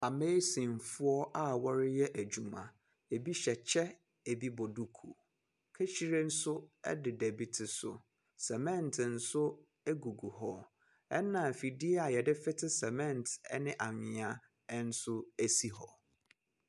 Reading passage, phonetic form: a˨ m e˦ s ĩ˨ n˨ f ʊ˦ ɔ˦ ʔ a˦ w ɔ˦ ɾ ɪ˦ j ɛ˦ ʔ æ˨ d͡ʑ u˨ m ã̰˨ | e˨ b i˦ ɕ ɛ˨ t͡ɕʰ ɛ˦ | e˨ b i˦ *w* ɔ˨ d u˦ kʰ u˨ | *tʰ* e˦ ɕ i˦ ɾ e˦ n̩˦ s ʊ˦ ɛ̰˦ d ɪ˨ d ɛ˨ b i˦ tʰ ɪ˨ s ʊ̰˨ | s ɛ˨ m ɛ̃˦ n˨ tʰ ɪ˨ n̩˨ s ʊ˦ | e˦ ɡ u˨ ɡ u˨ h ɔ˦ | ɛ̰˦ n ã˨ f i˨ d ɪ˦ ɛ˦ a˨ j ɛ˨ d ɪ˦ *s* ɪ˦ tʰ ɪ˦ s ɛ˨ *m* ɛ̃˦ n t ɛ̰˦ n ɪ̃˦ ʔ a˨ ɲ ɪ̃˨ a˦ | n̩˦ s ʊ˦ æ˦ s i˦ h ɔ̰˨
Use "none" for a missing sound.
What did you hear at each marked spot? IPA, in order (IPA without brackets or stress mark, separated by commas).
b, kʰ, f, m